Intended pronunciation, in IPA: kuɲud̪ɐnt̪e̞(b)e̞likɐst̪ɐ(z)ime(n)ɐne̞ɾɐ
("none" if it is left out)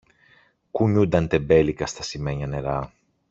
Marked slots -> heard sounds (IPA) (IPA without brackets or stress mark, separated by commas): b, s, ɲ